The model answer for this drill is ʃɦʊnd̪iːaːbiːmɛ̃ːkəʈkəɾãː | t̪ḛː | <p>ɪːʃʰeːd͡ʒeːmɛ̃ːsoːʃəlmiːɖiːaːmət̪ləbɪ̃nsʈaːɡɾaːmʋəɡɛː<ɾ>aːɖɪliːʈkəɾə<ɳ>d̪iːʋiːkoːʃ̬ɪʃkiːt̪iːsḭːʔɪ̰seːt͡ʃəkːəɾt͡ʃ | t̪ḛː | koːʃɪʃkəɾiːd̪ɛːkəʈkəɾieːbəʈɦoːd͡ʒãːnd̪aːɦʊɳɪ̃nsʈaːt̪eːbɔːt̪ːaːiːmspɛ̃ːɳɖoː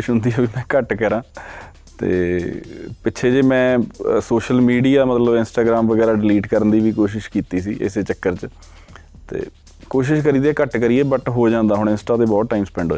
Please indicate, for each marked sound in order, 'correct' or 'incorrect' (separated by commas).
correct, correct, incorrect